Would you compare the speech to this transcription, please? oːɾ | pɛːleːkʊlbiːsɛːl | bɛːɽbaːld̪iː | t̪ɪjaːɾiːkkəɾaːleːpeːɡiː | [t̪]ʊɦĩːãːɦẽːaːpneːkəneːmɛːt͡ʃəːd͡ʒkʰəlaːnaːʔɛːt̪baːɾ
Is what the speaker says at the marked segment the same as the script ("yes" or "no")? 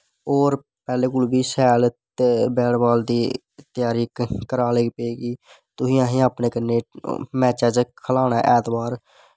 yes